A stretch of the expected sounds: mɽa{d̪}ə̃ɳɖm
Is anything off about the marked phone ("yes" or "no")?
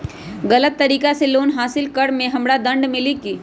no